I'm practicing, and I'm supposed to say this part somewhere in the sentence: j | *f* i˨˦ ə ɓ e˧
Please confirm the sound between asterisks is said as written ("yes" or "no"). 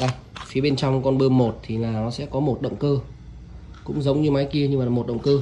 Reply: yes